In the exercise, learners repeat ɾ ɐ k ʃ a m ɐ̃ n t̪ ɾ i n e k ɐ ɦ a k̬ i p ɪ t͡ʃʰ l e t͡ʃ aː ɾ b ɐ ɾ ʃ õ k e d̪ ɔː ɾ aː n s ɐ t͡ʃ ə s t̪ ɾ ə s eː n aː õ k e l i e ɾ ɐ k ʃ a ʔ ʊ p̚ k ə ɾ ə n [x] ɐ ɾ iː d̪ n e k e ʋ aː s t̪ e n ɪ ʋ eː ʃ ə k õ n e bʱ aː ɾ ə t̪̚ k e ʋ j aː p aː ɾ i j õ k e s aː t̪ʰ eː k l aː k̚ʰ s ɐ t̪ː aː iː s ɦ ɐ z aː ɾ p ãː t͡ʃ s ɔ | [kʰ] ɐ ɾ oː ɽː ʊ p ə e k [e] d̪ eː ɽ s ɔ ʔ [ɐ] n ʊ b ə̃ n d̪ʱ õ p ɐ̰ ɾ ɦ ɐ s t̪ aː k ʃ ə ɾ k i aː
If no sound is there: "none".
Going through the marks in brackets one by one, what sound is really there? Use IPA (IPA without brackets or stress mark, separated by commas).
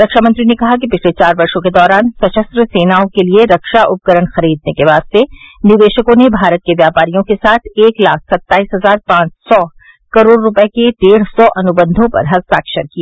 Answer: x, k, e, ɐ